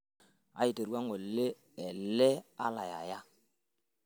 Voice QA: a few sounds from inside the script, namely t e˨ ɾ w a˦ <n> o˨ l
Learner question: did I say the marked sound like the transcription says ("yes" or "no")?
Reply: no